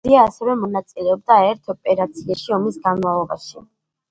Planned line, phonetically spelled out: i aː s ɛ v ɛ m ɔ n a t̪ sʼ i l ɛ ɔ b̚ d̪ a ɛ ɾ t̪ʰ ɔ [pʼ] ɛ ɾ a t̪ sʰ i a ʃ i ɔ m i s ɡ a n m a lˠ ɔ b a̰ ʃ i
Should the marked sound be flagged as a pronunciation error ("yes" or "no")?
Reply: no